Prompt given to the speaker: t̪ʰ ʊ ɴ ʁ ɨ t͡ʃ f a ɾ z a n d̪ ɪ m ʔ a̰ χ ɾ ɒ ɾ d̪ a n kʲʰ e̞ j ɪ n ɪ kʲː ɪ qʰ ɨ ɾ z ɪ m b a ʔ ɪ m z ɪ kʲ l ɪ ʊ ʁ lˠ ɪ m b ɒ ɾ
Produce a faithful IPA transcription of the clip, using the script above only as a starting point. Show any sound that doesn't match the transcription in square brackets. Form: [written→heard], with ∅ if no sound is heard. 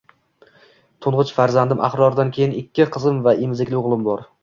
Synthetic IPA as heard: t̪ʰ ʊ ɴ ʁ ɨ t͡ʃ f a ɾ z a n d̪ ɪ m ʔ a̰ χ ɾ ɒ ɾ d̪ a n kʲʰ e̞ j ɪ n ɪ kʲː ɪ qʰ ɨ [ɾ→∅] z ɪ m [b→v] a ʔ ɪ m z ɪ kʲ l ɪ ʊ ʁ lˠ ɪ m b ɒ ɾ

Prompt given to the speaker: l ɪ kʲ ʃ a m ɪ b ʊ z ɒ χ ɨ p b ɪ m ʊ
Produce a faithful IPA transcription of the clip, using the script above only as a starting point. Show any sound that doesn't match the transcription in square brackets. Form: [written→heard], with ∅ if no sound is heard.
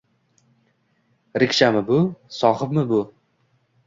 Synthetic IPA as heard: [l→ɾ] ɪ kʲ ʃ a m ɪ b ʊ [z→s] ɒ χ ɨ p [b→m] ɪ [m→b] ʊ

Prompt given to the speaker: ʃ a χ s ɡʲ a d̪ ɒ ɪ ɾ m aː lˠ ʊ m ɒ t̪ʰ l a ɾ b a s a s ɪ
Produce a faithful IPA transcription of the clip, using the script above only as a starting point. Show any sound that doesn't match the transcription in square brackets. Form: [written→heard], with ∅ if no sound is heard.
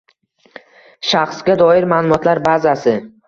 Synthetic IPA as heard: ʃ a χ s ɡʲ a d̪ ɒ ɪ ɾ m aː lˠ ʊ m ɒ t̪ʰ l a ɾ b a [s→z] a s ɪ

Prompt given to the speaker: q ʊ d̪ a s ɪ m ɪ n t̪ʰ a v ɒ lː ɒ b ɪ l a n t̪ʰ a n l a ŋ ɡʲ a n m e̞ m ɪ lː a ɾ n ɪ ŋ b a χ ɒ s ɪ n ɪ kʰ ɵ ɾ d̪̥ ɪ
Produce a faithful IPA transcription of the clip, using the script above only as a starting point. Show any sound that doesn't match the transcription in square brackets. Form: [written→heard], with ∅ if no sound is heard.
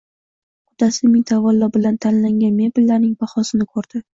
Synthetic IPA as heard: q ʊ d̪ a s ɪ m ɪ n t̪ʰ a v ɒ lː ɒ b ɪ l a n t̪ʰ a n l a ŋ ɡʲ a n m e̞ [m→b] ɪ lː a ɾ n ɪ ŋ b a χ ɒ s ɪ n ɪ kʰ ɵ ɾ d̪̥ ɪ

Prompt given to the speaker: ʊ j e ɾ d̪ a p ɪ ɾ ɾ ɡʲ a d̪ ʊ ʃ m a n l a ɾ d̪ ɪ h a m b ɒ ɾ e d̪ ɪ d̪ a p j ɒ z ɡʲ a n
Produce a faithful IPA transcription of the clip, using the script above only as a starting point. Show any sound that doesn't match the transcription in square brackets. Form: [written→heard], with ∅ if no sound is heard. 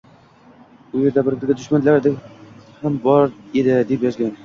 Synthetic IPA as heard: ʊ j e ɾ d̪ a [p→b] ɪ ɾ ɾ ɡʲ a d̪ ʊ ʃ m a n l a ɾ d̪ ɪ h a m b ɒ ɾ e d̪ ɪ d̪ [a→e] p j ɒ z ɡʲ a n

